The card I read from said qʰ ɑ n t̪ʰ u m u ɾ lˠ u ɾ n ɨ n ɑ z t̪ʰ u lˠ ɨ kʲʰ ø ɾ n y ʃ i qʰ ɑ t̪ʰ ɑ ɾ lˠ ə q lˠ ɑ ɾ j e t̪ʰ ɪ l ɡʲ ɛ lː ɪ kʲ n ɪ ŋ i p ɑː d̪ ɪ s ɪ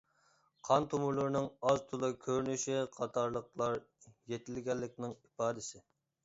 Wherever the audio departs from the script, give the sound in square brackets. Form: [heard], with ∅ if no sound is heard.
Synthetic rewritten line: qʰ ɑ n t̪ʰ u m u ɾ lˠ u ɾ n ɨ [ŋ] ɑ z t̪ʰ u lˠ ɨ kʲʰ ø ɾ n y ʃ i qʰ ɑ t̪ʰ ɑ ɾ lˠ ə q lˠ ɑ ɾ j e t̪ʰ ɪ l ɡʲ ɛ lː ɪ kʲ n ɪ ŋ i p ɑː d̪ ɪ s ɪ